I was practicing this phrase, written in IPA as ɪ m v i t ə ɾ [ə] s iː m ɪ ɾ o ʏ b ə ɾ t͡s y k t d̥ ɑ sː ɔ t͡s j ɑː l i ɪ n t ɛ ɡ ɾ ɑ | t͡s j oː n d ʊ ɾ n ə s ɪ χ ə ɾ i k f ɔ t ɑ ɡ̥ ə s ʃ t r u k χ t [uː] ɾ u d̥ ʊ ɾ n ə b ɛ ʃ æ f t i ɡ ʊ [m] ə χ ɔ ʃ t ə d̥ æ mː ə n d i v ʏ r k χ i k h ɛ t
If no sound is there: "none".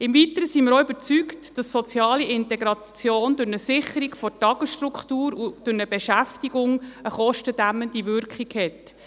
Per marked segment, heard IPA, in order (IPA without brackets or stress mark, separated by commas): ə, uː, ŋ